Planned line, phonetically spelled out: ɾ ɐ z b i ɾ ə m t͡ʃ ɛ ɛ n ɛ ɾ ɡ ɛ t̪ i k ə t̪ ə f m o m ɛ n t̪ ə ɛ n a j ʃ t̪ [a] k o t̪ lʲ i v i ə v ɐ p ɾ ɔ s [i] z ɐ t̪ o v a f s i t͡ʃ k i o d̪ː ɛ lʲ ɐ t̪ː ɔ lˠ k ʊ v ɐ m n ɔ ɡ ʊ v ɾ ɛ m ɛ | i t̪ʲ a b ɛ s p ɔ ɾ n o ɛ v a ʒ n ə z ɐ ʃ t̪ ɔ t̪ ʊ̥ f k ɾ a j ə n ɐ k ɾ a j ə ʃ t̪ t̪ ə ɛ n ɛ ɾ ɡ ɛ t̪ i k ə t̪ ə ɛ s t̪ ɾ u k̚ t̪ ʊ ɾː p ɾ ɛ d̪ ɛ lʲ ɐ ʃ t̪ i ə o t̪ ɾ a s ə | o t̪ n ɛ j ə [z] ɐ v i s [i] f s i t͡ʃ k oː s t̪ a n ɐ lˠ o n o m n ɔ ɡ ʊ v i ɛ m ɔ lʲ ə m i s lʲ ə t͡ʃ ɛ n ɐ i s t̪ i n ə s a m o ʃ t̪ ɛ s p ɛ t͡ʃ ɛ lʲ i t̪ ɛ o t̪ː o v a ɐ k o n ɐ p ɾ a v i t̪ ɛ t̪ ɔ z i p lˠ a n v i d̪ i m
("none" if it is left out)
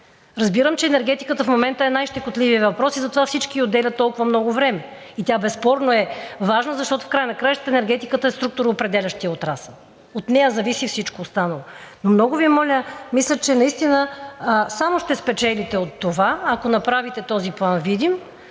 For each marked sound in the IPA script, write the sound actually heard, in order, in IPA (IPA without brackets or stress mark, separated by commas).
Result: ɛ, i, z, i